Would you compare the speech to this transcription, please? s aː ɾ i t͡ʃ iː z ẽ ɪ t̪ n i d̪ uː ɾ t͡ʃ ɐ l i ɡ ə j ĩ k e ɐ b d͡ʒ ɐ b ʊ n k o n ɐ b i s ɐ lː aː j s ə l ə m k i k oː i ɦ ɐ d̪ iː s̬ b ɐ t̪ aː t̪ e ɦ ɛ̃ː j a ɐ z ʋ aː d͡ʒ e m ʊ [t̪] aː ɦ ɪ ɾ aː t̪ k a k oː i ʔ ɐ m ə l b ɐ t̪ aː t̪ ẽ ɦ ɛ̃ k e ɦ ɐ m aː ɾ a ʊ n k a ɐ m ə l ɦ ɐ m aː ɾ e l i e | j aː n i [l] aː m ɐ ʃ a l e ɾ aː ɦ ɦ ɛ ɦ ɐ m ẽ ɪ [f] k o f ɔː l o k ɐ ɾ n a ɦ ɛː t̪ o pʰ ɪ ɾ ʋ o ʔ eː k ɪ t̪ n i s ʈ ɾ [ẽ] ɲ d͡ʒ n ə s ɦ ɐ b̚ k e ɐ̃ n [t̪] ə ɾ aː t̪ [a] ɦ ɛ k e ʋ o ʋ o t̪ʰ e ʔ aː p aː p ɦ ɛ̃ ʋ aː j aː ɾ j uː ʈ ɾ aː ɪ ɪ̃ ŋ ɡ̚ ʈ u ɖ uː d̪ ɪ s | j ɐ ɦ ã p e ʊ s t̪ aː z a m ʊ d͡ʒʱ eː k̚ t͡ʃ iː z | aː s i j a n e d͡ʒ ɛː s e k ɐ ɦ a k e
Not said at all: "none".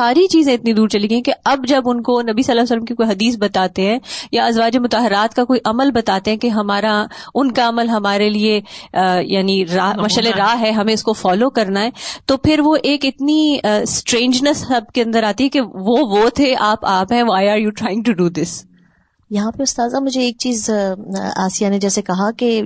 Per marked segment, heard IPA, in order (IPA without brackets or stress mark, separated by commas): t̪, ɾ, s, ẽː, d̪, i